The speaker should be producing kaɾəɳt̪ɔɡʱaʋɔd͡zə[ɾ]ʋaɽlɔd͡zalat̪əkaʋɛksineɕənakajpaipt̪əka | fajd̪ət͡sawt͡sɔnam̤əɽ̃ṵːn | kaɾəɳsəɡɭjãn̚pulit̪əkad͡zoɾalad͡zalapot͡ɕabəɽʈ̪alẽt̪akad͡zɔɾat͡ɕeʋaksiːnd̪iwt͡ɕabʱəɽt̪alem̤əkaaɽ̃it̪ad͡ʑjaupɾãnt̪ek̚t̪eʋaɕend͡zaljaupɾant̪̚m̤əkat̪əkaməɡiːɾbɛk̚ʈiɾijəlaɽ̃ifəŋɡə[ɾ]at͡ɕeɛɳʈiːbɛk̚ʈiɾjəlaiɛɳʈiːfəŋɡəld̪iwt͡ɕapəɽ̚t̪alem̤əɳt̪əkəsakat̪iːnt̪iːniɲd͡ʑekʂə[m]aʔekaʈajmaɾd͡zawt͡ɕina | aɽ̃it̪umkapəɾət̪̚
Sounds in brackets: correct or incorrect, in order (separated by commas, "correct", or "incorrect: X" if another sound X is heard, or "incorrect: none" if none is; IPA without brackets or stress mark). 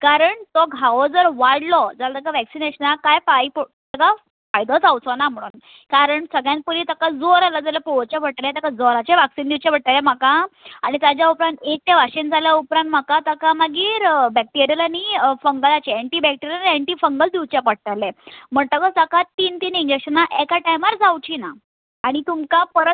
correct, incorrect: l, incorrect: n